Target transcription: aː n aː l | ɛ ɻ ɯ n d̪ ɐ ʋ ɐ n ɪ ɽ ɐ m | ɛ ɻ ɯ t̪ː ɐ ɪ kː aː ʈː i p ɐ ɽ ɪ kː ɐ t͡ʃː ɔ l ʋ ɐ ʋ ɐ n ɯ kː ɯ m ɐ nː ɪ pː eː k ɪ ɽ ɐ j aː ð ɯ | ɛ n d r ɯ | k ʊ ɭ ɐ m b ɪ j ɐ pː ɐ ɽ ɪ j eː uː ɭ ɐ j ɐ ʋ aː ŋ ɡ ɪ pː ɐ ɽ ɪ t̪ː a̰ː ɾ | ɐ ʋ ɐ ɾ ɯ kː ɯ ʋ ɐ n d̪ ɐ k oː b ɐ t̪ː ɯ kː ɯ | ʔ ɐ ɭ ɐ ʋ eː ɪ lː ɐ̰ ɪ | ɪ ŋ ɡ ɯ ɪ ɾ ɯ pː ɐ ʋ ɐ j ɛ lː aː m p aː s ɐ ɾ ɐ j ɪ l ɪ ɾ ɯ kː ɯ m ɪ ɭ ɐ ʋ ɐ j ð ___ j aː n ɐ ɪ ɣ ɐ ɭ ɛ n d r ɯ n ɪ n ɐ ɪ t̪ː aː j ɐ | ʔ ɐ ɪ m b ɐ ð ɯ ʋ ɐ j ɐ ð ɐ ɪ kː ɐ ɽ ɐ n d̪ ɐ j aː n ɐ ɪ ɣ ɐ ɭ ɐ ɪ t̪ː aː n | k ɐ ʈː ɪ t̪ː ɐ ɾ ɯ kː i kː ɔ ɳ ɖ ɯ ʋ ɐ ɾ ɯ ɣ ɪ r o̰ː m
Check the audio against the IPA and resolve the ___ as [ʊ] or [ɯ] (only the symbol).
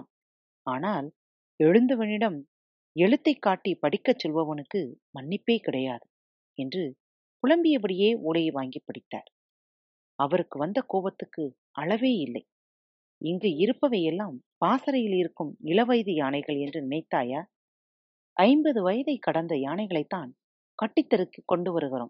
ɯ